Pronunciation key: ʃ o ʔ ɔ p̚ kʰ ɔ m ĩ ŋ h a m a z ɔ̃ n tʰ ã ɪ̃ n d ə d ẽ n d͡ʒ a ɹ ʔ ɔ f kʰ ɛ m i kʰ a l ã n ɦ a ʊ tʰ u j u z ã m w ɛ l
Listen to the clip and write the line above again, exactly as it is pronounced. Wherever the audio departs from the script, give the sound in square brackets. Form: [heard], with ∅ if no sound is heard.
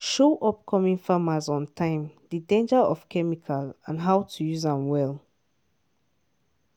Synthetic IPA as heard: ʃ o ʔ ɔ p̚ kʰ ɔ m ĩ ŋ [f] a m a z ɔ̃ n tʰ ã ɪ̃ [m] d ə d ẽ n d͡ʒ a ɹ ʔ ɔ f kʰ ɛ m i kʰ a l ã n ɦ a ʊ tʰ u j u z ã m w ɛ l